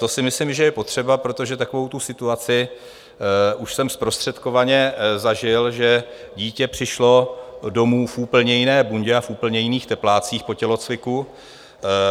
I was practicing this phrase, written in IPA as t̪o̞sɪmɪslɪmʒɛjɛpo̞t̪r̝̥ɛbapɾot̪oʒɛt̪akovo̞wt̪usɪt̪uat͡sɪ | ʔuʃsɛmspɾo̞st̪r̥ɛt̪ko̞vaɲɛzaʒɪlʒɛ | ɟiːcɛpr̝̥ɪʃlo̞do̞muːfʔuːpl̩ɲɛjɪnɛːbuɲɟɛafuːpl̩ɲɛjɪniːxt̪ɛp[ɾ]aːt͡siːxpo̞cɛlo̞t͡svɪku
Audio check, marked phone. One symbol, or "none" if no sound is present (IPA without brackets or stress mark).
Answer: l